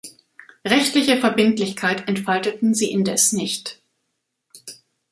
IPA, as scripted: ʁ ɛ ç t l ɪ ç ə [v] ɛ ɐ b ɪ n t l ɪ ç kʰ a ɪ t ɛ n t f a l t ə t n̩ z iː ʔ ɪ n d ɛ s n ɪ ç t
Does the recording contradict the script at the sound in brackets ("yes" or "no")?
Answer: yes